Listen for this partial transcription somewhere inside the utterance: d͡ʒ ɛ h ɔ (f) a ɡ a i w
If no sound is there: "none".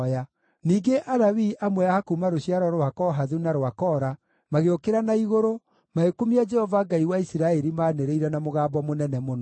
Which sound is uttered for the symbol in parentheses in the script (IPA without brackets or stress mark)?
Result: v